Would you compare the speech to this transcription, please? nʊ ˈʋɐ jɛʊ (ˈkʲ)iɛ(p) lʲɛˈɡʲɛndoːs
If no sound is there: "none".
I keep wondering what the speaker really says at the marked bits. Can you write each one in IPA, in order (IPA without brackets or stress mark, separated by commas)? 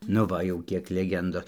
kʲ, k